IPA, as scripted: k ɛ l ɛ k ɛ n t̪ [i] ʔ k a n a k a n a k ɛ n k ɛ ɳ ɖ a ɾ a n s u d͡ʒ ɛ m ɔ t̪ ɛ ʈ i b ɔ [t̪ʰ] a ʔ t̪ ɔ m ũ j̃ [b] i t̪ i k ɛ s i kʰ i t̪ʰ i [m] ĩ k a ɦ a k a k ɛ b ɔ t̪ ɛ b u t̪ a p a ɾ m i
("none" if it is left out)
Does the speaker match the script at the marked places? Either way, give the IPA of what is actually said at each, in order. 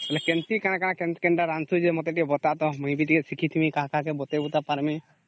i, t̪, b, m

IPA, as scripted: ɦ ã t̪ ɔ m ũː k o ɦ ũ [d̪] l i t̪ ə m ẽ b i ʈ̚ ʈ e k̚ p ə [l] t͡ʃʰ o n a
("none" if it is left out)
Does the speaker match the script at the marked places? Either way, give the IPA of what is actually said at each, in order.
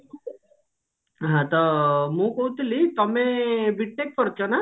t̪, ɾ

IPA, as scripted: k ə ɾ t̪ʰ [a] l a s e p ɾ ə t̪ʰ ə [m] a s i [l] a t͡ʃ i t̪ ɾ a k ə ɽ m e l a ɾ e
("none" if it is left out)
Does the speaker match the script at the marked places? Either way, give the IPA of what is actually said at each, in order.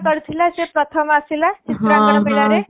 i, m, l

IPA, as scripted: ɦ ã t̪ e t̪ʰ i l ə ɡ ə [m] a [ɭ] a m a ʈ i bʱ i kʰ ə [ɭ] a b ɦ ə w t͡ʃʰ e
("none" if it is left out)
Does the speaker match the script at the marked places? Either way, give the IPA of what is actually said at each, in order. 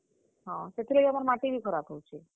m, ɾ, ɾ

